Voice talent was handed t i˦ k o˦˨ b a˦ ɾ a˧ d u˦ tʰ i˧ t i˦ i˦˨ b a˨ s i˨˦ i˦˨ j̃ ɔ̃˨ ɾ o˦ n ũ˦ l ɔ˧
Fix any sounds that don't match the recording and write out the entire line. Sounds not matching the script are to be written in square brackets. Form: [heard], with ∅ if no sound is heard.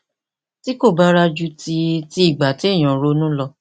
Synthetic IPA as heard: t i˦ k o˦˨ b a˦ ɾ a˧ [d͡ʒ] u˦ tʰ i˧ t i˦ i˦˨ [ɡ͡b] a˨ [t] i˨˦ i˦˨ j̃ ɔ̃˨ ɾ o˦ n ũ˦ l ɔ˧